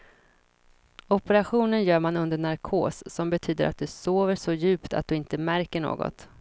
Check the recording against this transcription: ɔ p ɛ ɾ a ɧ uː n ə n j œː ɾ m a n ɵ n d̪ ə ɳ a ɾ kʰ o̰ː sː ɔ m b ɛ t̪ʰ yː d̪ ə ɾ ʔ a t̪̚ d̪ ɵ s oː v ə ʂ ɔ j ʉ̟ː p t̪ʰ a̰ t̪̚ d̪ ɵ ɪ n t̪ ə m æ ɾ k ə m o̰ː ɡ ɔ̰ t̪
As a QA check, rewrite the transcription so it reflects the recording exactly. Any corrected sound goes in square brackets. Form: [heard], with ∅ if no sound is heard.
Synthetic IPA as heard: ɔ p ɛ ɾ a ɧ uː n ə n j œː ɾ m a n ɵ n d̪ ə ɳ a ɾ kʰ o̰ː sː ɔ m b ɛ t̪ʰ yː d̪ ə ɾ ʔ a t̪̚ d̪ ɵ s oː v ə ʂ ɔ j ʉ̟ː p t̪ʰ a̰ t̪̚ d̪ ɵ ɪ n t̪ ə m æ ɾ k ə [ɳ] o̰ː ɡ ɔ̰ t̪